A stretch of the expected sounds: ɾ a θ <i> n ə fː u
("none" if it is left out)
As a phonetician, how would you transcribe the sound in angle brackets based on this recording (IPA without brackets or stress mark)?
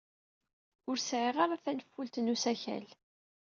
æ